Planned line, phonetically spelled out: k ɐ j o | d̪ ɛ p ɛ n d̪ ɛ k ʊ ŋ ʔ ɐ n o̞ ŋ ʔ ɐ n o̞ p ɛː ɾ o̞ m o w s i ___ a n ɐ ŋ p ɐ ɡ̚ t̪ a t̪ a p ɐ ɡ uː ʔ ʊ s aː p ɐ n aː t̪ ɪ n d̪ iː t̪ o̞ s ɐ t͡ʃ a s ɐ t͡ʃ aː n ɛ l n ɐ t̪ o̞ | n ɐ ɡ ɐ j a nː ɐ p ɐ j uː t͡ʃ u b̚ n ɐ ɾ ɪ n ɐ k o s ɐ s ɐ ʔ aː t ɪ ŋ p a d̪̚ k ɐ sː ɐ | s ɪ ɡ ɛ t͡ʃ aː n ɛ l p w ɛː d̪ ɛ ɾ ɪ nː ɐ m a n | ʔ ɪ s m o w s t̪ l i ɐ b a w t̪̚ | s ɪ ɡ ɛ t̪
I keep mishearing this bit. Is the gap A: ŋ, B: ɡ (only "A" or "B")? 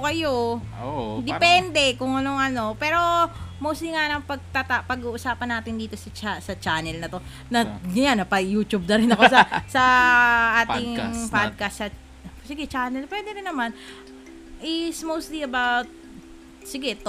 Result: A